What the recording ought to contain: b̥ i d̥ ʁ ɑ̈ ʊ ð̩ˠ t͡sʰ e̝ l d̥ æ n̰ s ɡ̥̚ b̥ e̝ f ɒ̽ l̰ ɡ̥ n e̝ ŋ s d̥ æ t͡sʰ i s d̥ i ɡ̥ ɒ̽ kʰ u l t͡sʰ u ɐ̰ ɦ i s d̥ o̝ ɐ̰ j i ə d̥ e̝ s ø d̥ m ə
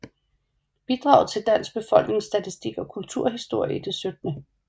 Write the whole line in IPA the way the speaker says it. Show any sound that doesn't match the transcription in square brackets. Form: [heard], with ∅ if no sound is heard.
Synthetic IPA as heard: b̥ i d̥ ʁ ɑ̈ ʊ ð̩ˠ t͡sʰ e̝ l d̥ æ n̰ s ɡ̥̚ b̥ e̝ f ɒ̽ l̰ ɡ̥ n e̝ ŋ s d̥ æ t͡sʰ i s d̥ i ɡ̥ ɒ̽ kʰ u l t͡sʰ u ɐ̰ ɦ i s d̥ o̝ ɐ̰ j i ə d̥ e̝ s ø d̥ [n] ə